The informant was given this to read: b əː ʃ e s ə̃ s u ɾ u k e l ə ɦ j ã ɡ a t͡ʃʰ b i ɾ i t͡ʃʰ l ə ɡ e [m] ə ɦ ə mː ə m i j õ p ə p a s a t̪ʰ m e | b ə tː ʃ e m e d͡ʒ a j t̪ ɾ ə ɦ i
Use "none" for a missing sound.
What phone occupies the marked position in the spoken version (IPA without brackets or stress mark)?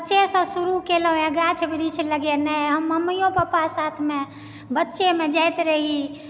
n